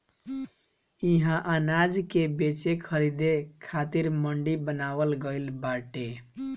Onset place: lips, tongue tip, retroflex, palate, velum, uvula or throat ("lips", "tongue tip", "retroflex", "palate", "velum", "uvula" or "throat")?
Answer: throat